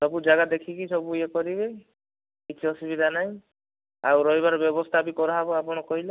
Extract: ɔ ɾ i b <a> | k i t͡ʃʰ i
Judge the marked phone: incorrect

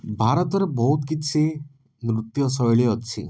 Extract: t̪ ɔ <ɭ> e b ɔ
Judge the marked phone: incorrect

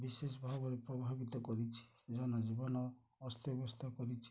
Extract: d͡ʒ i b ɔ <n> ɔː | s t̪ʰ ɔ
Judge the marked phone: correct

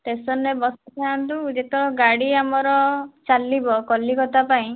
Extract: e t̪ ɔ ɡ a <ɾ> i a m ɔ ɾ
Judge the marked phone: incorrect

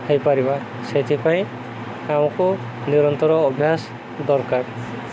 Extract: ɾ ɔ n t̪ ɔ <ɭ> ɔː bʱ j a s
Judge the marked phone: incorrect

